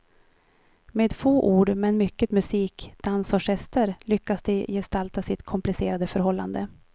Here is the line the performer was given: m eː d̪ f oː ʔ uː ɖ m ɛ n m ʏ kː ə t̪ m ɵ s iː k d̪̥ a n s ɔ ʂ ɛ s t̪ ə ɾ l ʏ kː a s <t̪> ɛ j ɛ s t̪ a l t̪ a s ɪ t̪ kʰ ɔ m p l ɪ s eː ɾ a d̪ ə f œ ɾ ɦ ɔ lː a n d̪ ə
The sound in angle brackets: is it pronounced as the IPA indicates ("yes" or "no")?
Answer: no